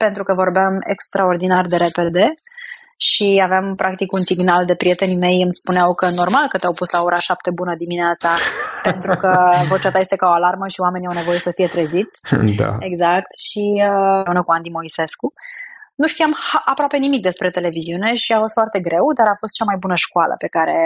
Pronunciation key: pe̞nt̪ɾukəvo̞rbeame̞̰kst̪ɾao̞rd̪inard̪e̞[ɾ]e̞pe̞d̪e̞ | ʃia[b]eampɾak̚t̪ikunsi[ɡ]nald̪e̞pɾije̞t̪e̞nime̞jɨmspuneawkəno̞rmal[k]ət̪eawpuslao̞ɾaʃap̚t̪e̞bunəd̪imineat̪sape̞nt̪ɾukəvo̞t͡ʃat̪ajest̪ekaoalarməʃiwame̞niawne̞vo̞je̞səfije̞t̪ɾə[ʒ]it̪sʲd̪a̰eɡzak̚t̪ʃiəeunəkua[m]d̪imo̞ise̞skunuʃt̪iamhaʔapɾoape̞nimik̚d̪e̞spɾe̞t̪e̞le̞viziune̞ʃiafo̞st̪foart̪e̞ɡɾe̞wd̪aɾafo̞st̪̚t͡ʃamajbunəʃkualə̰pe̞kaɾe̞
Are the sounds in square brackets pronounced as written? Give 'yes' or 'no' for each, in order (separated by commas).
yes, no, yes, yes, no, no